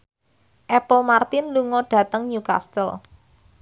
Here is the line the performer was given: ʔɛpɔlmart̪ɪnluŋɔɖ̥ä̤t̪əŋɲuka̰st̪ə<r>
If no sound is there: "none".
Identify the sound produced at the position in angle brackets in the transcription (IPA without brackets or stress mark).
l